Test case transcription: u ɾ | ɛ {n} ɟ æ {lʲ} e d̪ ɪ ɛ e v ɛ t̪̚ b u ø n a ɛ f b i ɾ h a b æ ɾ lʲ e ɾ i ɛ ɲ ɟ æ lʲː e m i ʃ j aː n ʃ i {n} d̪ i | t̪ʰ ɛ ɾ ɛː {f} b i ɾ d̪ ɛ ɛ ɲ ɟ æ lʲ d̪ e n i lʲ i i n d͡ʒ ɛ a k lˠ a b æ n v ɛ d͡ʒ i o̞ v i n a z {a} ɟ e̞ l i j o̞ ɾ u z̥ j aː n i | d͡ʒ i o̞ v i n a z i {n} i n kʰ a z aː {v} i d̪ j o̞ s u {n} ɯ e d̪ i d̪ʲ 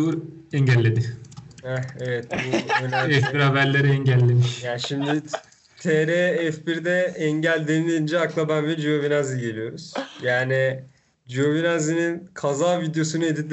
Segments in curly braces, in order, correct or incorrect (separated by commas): incorrect, incorrect, incorrect, correct, incorrect, correct, correct, correct